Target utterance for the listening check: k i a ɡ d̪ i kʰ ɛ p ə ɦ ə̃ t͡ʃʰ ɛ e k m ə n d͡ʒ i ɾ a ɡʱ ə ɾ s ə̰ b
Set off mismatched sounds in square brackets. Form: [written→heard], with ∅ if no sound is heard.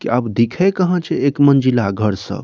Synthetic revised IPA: k i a [ɡ→b] d̪ i kʰ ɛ [p→k] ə ɦ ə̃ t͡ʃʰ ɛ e k m ə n d͡ʒ i [ɾ→l] a ɡʱ ə ɾ s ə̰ b